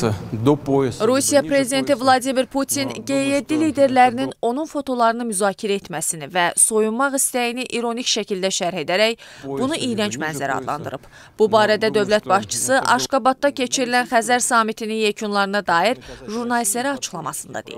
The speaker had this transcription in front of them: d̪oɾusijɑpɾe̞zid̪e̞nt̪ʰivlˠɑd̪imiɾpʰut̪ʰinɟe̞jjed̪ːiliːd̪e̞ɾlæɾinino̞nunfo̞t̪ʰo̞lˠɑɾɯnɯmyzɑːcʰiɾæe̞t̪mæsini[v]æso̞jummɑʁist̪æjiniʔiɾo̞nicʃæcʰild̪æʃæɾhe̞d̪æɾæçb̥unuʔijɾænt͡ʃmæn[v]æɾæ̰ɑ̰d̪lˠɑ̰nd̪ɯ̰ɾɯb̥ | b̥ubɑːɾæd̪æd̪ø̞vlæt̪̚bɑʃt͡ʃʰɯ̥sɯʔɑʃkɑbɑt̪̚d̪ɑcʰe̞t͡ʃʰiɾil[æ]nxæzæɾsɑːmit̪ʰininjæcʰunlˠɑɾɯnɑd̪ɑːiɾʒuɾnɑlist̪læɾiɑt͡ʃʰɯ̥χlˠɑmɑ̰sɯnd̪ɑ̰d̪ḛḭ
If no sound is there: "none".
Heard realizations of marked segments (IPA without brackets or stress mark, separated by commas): v, z, æ